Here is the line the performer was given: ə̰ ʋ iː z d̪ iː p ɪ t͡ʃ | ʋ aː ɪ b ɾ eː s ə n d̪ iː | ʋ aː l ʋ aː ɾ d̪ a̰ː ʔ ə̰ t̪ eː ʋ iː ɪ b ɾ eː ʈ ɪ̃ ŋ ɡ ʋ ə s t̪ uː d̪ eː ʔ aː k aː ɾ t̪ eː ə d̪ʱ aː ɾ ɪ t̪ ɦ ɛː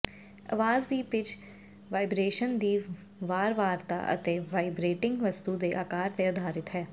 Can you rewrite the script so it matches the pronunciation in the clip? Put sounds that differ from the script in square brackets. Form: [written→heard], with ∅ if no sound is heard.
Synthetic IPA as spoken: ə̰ ʋ [iː→aː] z d̪ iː p ɪ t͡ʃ | ʋ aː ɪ b ɾ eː [s→ʃ] ə n d̪ iː | ʋ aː [l→ɾ] ʋ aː ɾ [d̪→t̪] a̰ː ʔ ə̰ t̪ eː ʋ [iː→aː] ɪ b ɾ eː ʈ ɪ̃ ŋ ɡ ʋ ə s t̪ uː d̪ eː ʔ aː k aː ɾ t̪ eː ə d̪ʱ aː ɾ ɪ t̪ ɦ ɛː